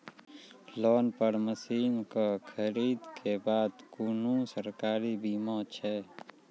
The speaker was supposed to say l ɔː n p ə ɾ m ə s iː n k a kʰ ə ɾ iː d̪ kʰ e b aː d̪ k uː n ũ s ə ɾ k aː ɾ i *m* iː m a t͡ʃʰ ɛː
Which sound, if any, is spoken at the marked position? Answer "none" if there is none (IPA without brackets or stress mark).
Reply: b